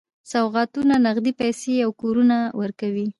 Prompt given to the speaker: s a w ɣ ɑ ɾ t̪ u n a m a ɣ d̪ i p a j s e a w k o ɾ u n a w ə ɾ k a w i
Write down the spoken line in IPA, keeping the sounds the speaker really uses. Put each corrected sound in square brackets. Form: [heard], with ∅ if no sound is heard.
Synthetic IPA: s a w ɣ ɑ [∅] t̪ u n a [n] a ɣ d̪ i p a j s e a w k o ɾ u n a w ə ɾ k a w i